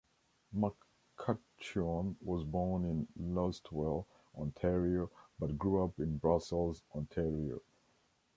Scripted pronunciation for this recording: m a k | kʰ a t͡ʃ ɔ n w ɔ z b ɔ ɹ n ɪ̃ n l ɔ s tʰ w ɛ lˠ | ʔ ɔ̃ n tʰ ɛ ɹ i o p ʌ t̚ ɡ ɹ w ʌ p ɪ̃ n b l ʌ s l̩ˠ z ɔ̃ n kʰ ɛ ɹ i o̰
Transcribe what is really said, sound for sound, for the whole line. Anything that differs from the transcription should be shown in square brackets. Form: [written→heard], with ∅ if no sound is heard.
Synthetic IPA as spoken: m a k | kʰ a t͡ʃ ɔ n w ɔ z b ɔ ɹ n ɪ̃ n l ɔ s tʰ w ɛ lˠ | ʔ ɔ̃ n tʰ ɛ ɹ i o [p→b] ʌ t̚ ɡ ɹ [w→u] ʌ p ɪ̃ n b [l→ɹ] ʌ s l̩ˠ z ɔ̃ n [kʰ→tʰ] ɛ ɹ i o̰